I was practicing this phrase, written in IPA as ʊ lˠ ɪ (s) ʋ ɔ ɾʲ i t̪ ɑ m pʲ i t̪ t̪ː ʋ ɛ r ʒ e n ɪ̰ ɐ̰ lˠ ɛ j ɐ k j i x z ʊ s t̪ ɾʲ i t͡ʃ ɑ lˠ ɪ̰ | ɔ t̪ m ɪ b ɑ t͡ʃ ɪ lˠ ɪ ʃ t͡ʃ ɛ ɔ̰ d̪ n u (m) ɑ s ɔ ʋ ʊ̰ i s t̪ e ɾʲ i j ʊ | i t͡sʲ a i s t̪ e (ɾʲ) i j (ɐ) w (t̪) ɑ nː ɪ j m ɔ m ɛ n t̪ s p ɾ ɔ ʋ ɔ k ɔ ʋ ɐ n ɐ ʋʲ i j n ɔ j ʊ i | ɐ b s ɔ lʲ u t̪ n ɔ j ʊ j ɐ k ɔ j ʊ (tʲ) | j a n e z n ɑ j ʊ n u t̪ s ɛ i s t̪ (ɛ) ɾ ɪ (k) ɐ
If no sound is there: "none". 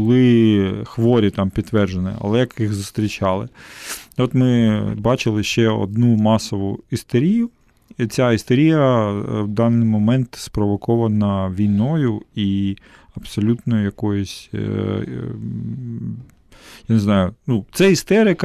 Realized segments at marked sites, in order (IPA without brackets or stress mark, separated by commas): x, m, ɾʲ, ɐ, d̪, sʲ, ɛ, k